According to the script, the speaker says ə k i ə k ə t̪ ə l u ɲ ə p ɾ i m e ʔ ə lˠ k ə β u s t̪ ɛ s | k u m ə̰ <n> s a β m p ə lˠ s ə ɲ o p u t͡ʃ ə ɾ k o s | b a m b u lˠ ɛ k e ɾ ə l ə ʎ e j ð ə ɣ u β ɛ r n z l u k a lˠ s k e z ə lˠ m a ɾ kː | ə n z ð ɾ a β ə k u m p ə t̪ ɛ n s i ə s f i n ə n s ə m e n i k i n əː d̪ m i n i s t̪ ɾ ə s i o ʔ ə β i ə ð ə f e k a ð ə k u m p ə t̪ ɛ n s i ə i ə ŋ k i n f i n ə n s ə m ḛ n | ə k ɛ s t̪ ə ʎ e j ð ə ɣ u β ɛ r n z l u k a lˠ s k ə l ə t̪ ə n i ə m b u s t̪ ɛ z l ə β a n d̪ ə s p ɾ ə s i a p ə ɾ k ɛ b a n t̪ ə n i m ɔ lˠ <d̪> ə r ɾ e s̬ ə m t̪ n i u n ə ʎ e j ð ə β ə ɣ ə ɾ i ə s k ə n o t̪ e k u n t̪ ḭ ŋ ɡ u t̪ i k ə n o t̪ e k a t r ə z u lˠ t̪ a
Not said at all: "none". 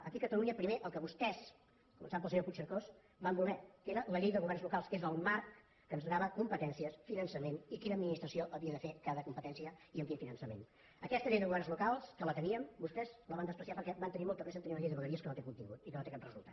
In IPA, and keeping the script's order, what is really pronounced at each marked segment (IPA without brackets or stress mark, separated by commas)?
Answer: n, t̪